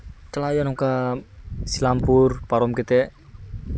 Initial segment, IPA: t͡ʃ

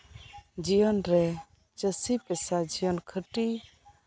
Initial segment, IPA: d͡ʒ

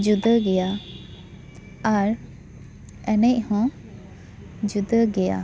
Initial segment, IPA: d͡ʒ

